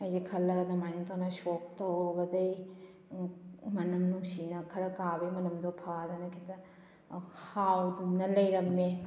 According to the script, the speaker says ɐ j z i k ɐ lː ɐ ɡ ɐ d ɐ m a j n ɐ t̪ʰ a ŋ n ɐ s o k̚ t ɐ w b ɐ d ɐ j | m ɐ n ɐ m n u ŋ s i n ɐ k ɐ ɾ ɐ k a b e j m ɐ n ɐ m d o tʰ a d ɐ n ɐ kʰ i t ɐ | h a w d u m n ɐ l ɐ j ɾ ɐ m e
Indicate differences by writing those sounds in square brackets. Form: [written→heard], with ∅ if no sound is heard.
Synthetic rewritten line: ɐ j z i [k→kʰ] ɐ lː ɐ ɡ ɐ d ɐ m a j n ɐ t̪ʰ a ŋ n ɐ s o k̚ t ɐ w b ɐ d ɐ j | m ɐ n ɐ m n u ŋ s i n ɐ [k→kʰ] ɐ ɾ ɐ k a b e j m ɐ n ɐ m d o [tʰ→pʰ] a d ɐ n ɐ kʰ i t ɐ | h a w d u m n ɐ l ɐ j ɾ ɐ m e